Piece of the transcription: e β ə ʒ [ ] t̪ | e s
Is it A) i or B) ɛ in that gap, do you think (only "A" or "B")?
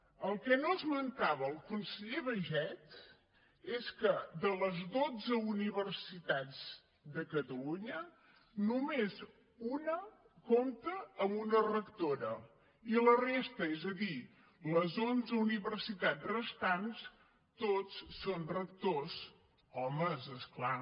B